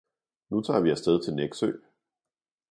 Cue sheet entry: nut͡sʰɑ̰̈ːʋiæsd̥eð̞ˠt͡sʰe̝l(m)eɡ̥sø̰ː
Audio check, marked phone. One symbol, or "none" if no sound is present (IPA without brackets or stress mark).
n